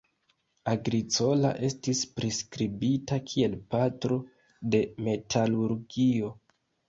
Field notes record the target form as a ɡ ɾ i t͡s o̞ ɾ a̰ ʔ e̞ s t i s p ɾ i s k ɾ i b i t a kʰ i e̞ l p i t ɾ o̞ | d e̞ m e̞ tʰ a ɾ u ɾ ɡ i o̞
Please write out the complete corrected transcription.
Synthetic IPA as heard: a ɡ ɾ i t͡s o̞ l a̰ ʔ e̞ s t i s p ɾ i s k ɾ i b i t a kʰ i e̞ l p a t ɾ o̞ | d e̞ m e̞ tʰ a l u ɾ ɡ i o̞

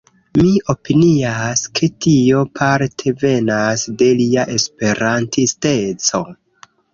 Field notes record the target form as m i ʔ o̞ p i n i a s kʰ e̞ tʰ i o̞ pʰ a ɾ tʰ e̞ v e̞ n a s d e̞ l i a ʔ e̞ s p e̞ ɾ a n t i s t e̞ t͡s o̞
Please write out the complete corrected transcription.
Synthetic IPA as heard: m i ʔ o̞ p i n i a s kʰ e̞ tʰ i o̞ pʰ a ɾ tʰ e̞ v e̞ n a s d e̞ l i a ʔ e̞ s p e̞ ɾ a n t i s t e̞ t͡s o̞

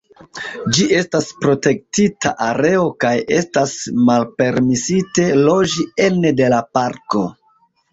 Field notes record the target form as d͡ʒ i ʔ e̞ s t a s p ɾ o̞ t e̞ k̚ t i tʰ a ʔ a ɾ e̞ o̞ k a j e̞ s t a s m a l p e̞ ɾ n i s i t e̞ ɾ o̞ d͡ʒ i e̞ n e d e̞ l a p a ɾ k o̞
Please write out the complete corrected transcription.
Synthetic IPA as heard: d͡ʒ i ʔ e̞ s t a s p ɾ o̞ t e̞ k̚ t i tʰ a ʔ a ɾ e̞ o̞ k a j e̞ s t a s m a l p e̞ ɾ m i s i t e̞ l o̞ d͡ʒ i e̞ n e d e̞ l a p a ɾ k o̞

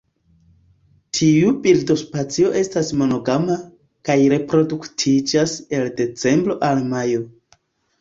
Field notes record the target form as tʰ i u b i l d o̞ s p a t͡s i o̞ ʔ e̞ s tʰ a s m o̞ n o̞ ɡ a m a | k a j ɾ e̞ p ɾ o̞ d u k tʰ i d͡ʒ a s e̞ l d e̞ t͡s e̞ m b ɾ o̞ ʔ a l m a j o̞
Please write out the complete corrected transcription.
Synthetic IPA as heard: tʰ i u b i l d o̞ s p a t͡s i o̞ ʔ e̞ s t a s m o̞ n o̞ ɡ a m a | k a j ɾ e̞ p ɾ o̞ d u k tʰ i d͡ʒ a s e̞ l d e̞ t͡s e̞ m b ɾ o̞ ʔ a l m a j o̞

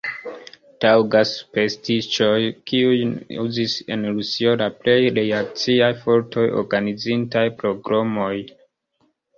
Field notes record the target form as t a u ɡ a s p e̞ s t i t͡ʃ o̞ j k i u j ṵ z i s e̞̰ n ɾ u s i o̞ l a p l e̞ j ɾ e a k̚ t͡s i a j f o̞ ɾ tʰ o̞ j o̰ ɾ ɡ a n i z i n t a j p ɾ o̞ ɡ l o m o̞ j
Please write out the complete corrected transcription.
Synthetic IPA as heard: t a w ɡ a s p e̞ s t i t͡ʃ o̞ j k i u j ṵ z i s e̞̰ n ɾ u s i o̞ l a p l e̞ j ɾ e a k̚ t͡s i a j f o̞ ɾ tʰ o̞ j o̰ ɾ ɡ a n i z i n t a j p ɾ o̞ ɡ ɾ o m o̞ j

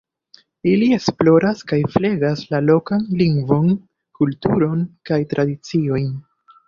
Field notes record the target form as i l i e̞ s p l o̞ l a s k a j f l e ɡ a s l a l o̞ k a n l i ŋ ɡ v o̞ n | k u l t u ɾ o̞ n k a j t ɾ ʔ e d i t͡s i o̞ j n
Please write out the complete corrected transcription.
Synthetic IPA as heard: i l i e̞ s p l o̞ ɾ a s k a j f l e ɡ a s l a l o̞ k a n l i ŋ ɡ v o̞ n | k u l t u ɾ o̞ n k a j t ɾ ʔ a d i t͡s i o̞ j n

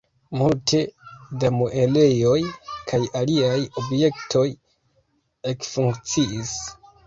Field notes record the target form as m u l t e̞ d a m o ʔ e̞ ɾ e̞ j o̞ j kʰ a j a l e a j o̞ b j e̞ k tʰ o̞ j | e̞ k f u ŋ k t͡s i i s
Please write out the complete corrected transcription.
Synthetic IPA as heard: m u l t e̞ d a m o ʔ e̞ l e̞ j o̞ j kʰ a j a l i a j o̞ b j e̞ k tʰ o̞ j | e̞ k f u ŋ k t͡s i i s

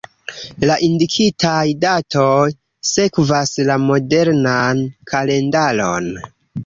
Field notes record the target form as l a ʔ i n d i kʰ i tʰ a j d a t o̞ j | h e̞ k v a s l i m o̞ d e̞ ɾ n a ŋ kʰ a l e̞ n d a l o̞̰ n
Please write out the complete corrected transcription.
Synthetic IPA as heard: l a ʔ i n d i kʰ i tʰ a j d a t o̞ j | s e̞ k v a s l a m o̞ d e̞ ɾ n a n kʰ a l e̞ n d a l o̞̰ n

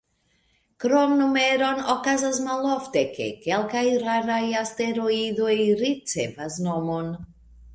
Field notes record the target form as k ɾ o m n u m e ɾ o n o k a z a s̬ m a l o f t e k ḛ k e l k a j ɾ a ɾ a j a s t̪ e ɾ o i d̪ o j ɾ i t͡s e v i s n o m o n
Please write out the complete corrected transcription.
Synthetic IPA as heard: k ɾ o m n u m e ɾ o n o k a z a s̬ m a l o f t e k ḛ k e l k a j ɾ a ɾ a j a s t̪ e ɾ o i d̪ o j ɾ i t͡s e v a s n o m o n

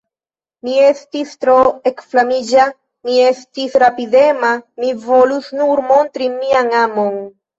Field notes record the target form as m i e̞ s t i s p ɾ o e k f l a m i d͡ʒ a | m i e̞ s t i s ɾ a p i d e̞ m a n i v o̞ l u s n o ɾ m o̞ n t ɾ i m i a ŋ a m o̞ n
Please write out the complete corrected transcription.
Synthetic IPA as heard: m i e̞ s t i s t ɾ o e k f l a m i d͡ʒ a | m i e̞ s t i s ɾ a p i d e̞ m a m i v o̞ l u s n u ɾ m o̞ n t ɾ i m i a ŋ a m o̞ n

